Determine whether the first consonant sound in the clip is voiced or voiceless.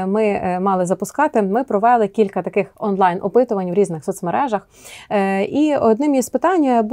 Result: voiced